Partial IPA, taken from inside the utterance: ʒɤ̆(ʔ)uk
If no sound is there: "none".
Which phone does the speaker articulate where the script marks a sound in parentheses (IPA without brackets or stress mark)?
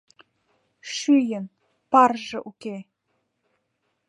ʔ